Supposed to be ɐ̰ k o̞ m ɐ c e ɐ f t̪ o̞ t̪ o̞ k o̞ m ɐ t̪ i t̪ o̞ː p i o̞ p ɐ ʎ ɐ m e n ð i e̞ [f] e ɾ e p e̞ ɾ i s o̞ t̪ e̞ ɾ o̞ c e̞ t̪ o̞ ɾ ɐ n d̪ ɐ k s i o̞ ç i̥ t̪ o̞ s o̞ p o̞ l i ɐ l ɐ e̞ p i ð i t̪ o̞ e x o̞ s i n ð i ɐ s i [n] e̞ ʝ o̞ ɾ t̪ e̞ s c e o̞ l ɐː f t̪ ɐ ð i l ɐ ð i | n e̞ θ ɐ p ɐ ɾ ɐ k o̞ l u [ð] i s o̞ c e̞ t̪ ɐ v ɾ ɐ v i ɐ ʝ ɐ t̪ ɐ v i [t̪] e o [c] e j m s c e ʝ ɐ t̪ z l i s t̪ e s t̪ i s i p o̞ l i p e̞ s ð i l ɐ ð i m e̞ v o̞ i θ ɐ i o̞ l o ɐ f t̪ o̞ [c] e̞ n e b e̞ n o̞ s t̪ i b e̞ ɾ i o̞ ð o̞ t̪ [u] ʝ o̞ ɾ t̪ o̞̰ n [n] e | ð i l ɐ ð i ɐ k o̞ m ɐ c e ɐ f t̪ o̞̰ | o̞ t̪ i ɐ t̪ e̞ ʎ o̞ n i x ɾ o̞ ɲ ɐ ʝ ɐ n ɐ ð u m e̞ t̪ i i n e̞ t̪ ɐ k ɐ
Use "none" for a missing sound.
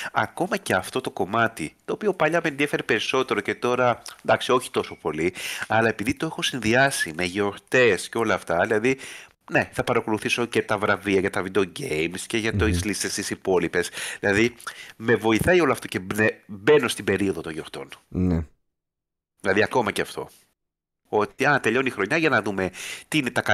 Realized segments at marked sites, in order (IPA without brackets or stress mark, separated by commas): f, m, θ, d̪, ɟ, c, o, n